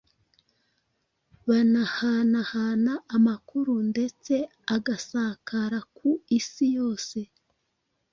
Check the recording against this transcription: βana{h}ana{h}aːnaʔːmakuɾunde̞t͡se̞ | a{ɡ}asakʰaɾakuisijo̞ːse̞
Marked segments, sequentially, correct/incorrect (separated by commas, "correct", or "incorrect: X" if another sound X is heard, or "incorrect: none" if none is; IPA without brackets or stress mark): correct, correct, correct